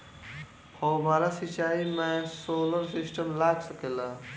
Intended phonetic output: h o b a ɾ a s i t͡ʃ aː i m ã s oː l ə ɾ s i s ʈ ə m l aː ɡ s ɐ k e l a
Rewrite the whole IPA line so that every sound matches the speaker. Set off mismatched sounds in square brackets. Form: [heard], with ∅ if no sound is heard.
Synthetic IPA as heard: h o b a ɾ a s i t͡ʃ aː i m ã s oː l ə ɾ s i s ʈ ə m l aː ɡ s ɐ k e l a